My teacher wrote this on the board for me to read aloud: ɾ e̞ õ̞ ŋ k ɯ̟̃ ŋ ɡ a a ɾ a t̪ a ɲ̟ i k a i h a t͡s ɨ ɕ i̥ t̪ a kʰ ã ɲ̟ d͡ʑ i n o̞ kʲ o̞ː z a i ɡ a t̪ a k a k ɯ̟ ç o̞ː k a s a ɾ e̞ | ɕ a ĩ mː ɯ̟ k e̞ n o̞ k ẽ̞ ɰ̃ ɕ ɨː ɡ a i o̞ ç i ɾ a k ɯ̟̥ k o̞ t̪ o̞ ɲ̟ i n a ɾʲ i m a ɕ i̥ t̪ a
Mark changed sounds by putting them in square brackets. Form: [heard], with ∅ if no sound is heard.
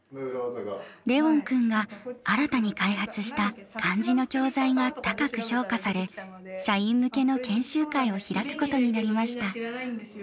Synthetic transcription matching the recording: ɾ e̞ õ̞ ŋ k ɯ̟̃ ŋ ɡ a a ɾ a t̪ a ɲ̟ i k a i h a t͡s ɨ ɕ i̥ t̪ a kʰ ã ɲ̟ d͡ʑ i n o̞ kʲ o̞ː z a i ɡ a t̪ a k a k ɯ̟ ç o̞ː k a s a ɾ e̞ | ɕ a ĩ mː ɯ̟ k e̞ n o̞ k ẽ̞ ɰ̃ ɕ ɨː [k] a i o̞ ç i ɾ a k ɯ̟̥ k o̞ t̪ o̞ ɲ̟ i n a ɾʲ i m a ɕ i̥ t̪ a